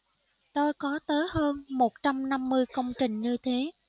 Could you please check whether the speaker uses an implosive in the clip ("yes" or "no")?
no